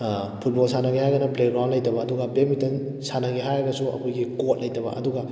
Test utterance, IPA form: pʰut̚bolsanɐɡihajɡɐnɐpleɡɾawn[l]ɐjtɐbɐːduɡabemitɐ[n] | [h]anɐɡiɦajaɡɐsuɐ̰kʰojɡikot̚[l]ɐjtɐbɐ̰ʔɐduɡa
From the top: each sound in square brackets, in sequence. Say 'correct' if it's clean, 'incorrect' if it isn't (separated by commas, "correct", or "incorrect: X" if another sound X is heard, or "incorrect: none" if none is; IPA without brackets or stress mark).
correct, correct, incorrect: s, correct